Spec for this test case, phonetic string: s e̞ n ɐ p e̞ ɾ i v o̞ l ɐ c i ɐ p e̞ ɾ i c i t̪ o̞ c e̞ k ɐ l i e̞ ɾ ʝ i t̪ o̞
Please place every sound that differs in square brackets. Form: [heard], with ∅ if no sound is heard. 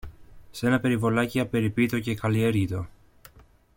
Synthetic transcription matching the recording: s e̞ n ɐ p e̞ ɾ i v o̞ l ɐ c i ɐ p e̞ ɾ i [p] i t̪ o̞ c e̞ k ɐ l i e̞ ɾ ʝ i t̪ o̞